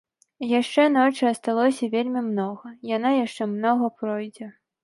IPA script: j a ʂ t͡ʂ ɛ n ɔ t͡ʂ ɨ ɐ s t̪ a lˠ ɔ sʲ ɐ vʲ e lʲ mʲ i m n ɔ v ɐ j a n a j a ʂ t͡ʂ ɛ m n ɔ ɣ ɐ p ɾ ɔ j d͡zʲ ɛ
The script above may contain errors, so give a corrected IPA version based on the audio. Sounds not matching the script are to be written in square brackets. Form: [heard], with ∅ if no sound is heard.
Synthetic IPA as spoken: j a ʂ t͡ʂ ɛ n ɔ t͡ʂ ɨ ɐ s t̪ a lˠ ɔ sʲ ɐ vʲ e lʲ mʲ i m n ɔ [ɣ] ɐ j a n a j a ʂ t͡ʂ ɛ m n ɔ ɣ ɐ p ɾ ɔ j d͡zʲ ɛ